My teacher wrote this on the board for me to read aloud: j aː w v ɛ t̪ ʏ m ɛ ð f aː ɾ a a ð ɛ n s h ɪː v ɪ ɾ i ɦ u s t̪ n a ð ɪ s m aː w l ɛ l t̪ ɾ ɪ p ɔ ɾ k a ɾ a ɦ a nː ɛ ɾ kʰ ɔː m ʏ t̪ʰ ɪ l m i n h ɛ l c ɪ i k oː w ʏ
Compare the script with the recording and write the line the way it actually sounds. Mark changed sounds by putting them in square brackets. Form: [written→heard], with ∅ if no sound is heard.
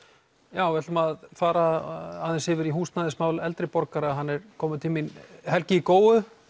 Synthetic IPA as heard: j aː w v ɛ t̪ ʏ m [ɛ→a] ð f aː ɾ a a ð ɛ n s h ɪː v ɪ ɾ i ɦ [u→uː] s t̪ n a ð ɪ s m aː w l ɛ l t̪ ɾ ɪ p ɔ ɾ k a ɾ a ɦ a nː ɛ ɾ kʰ ɔː m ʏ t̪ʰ ɪ l m i n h ɛ l c ɪ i k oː w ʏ

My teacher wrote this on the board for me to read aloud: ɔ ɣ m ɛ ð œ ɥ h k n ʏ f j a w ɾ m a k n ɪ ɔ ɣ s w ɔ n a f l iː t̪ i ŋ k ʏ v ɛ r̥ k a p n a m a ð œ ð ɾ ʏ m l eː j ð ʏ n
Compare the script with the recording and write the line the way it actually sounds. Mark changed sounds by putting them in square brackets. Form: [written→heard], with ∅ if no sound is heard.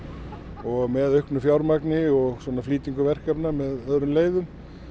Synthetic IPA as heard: ɔ ɣ m ɛ ð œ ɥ h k n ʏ f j a w ɾ m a k n ɪ ɔ ɣ s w ɔ n a f l iː t̪ i ŋ k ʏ v ɛ r̥ k a p n a m [a→ɛ] ð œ ð ɾ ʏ m l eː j ð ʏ [n→m]

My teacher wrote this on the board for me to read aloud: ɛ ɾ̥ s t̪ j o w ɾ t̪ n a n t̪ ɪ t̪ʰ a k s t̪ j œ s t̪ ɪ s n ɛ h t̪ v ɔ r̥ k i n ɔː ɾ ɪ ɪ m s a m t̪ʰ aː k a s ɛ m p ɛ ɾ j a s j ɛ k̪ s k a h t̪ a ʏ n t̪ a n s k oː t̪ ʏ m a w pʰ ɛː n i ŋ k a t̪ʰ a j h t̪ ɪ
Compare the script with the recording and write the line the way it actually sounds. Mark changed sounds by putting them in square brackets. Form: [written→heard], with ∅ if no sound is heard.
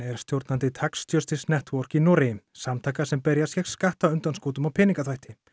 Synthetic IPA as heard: ɛ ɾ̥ s t̪ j o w ɾ t̪ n a n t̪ ɪ t̪ʰ a k s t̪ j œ s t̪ ɪ s n ɛ h t̪ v ɔ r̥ k i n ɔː ɾ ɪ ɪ m s a m t̪ʰ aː k a s ɛ m p ɛ ɾ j a s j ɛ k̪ s k a h t̪ a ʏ n t̪ a n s k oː t̪ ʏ m a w pʰ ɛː n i ŋ k a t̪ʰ a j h t̪ ɪ

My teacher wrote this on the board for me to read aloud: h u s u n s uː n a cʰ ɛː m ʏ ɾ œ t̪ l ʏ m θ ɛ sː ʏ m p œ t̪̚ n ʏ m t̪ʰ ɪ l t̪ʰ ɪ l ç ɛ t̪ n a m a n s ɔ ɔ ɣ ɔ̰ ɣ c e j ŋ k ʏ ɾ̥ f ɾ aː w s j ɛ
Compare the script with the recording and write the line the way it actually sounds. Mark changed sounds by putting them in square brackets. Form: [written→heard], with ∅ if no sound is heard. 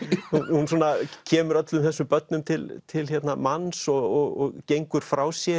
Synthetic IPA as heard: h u [s→h] u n s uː n a cʰ ɛː m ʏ ɾ œ t̪ l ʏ m θ ɛ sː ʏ m p œ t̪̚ n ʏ m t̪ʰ ɪ l t̪ʰ ɪ l ç ɛ t̪ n a m a n s ɔ ɔ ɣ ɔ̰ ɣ c e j ŋ k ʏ ɾ̥ f ɾ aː w s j ɛ

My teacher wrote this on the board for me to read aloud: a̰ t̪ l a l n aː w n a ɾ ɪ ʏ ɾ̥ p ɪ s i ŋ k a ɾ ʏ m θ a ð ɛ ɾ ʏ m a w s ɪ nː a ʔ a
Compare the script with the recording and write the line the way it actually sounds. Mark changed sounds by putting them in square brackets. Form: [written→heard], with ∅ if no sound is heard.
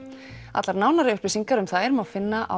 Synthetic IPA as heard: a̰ t̪ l a [l→ɾ] n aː w n a ɾ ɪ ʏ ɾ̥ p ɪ s i ŋ k a ɾ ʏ m θ a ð ɛ ɾ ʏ m a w [s→f] ɪ nː a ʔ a

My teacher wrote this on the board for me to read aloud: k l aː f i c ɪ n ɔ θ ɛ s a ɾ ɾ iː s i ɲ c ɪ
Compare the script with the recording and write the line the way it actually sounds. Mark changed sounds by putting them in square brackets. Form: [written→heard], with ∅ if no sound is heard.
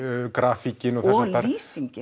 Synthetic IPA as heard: k [l→ɾ] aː f i c ɪ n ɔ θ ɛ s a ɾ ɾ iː s i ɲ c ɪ

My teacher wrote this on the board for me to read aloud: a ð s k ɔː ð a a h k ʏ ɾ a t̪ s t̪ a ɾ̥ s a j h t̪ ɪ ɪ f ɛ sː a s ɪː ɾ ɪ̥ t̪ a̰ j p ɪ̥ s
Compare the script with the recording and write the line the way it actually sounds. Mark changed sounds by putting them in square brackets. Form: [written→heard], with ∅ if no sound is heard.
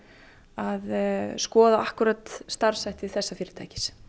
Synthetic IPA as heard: a ð s k ɔː ð a a h k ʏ ɾ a t̪ s t̪ a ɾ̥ s a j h t̪ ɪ ɪ [f→θ] ɛ sː a [s→f] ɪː ɾ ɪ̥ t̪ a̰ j [p→c] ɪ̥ s

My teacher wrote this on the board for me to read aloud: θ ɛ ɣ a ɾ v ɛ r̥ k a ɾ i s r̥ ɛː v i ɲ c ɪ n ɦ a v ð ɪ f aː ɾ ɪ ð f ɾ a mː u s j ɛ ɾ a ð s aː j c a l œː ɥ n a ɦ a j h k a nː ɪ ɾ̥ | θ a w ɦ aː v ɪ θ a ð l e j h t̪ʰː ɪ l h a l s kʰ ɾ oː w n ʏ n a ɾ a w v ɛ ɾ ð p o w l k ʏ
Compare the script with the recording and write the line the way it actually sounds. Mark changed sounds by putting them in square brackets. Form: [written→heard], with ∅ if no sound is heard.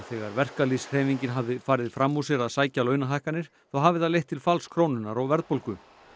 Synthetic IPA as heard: θ ɛ ɣ a ɾ v ɛ r̥ k a [ɾ→l] i s r̥ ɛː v i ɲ c ɪ n ɦ a v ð ɪ f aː ɾ ɪ ð f ɾ a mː u s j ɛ ɾ a ð s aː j c a l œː ɥ n a ɦ a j h k a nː ɪ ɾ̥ | θ a w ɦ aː v ɪ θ a ð l e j h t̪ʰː ɪ l [h→f] a l s kʰ ɾ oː w n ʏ n a ɾ a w v ɛ ɾ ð p o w l k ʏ

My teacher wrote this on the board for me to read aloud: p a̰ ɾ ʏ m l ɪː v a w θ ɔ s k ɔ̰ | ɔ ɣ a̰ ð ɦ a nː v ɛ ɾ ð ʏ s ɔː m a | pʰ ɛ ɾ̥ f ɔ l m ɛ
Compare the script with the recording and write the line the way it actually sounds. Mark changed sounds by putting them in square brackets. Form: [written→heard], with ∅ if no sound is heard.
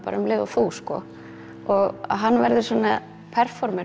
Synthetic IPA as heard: p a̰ ɾ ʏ m l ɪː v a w θ [ɔ→u] s k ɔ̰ | ɔ ɣ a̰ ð ɦ a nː v ɛ ɾ ð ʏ s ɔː [m→n] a | pʰ ɛ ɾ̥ f ɔ [l→ɾ] m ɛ

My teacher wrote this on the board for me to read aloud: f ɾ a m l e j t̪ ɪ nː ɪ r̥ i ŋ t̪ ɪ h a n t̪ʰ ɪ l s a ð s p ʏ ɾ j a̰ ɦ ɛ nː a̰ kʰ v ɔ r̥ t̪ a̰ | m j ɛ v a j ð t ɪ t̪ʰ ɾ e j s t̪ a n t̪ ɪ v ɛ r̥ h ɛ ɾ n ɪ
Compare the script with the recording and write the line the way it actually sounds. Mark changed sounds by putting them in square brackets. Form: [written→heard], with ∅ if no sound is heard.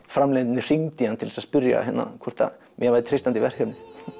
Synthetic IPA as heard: f ɾ a m l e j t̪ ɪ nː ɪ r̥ i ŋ t̪ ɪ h a n t̪ʰ ɪ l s a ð s p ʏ ɾ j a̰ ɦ ɛ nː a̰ kʰ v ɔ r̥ t̪ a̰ | m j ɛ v a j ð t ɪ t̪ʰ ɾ e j s t̪ a n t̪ ɪ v ɛ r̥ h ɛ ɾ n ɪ

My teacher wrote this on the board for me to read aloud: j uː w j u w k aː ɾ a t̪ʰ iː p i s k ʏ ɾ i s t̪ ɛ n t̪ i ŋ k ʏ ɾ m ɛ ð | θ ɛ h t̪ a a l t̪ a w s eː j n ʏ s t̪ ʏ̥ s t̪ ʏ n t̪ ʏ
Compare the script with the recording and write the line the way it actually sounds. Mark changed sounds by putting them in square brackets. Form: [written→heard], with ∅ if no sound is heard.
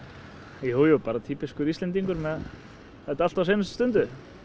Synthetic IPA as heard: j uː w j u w [k→p] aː ɾ a t̪ʰ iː p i s k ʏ ɾ i s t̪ ɛ n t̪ i ŋ k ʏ ɾ m ɛ ð | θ ɛ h t̪ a a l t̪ a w s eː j n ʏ s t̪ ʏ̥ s t̪ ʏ n t̪ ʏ

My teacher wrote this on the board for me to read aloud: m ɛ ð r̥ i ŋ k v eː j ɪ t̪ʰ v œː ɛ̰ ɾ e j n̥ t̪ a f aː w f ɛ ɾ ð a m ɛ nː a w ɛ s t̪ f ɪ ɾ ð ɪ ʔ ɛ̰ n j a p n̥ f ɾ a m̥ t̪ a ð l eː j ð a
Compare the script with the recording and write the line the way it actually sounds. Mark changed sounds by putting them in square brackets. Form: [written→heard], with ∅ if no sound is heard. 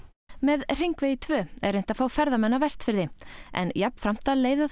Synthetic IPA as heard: m ɛ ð r̥ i ŋ k v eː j ɪ t̪ʰ v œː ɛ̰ ɾ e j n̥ t̪ a f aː w f ɛ ɾ ð a m ɛ nː a [w→v] ɛ s t̪ f ɪ ɾ ð ɪ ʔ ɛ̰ n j a p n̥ f ɾ a m̥ t̪ a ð l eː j ð a

